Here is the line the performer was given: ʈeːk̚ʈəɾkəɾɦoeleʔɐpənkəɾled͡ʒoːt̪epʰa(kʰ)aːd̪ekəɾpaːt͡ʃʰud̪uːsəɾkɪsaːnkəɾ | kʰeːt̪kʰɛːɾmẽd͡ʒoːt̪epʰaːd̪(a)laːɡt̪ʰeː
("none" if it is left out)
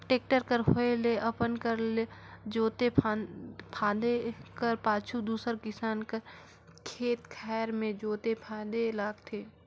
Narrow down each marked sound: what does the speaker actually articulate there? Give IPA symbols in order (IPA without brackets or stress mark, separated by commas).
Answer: pʰ, e